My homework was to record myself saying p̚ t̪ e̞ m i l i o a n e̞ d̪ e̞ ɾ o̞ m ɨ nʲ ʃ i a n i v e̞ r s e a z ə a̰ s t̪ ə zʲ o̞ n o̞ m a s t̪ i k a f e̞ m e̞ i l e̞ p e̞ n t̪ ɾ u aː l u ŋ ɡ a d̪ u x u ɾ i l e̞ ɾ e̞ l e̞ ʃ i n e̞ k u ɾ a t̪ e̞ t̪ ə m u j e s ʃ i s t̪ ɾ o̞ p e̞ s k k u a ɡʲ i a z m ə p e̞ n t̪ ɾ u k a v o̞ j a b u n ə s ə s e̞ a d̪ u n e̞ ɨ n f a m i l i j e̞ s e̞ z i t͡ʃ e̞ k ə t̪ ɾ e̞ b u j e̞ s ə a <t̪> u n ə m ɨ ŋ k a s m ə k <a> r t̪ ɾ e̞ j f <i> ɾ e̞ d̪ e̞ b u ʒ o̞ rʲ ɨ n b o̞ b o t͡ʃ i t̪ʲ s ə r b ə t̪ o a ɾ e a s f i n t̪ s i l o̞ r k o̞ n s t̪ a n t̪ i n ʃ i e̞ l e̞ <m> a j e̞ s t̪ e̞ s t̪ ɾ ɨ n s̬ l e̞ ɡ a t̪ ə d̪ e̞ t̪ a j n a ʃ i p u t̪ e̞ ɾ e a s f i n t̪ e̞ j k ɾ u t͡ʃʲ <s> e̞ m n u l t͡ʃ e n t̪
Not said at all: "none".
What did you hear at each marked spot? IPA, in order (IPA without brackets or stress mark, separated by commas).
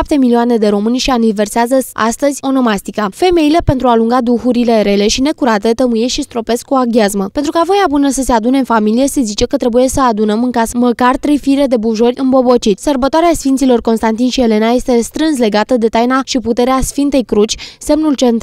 d̪, a, i, n, s